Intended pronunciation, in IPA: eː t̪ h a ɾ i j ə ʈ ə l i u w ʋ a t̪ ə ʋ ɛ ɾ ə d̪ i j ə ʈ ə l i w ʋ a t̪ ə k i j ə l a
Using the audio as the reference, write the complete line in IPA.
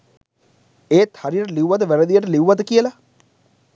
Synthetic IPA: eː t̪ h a ɾ i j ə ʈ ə l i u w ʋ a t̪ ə ʋ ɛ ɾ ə d̪ i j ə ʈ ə l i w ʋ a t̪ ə k i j ə l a